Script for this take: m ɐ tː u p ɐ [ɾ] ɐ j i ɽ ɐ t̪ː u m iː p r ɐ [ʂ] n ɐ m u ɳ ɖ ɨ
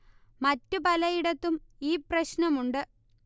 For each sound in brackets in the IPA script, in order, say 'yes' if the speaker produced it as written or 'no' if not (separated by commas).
no, no